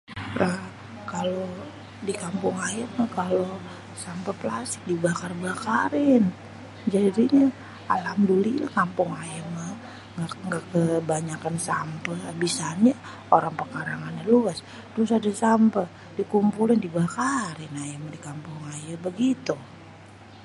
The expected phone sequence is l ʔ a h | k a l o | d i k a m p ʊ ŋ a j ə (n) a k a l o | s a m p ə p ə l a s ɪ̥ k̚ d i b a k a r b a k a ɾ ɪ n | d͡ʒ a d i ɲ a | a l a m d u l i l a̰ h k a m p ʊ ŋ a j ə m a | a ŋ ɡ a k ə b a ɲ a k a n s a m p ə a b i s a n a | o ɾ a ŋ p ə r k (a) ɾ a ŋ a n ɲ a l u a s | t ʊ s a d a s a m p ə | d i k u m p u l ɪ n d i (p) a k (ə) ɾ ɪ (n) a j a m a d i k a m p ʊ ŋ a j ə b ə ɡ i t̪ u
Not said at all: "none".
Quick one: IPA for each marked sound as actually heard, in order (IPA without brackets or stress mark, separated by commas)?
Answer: m, a, b, a, n